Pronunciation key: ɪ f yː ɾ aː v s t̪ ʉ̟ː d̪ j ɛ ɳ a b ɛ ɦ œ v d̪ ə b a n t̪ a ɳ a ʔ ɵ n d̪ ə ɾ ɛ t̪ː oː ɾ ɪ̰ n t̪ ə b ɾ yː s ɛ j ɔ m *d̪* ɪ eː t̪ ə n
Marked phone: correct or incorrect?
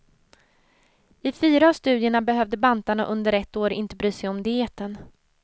correct